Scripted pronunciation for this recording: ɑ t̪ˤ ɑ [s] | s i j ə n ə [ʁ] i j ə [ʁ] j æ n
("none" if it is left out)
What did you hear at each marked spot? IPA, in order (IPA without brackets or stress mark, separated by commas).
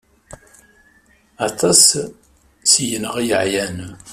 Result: s, ʁ, ʕ